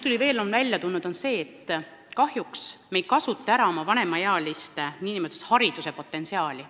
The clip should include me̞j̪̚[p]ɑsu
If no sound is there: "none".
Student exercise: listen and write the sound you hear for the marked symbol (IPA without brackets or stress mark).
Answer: k